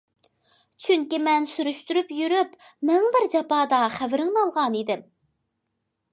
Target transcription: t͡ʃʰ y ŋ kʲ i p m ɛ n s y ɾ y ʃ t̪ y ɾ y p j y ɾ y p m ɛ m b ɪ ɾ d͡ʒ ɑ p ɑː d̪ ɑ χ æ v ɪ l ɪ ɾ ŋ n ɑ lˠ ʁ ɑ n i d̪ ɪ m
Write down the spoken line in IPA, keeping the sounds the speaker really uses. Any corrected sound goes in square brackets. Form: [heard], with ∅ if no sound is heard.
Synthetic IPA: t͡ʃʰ y ŋ kʲ i [∅] m ɛ n s y ɾ y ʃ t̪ y ɾ y p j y ɾ y p m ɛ [ŋ] b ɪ ɾ d͡ʒ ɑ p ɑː d̪ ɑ χ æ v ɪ [ɾ] ɪ [∅] ŋ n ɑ lˠ ʁ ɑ n i d̪ ɪ m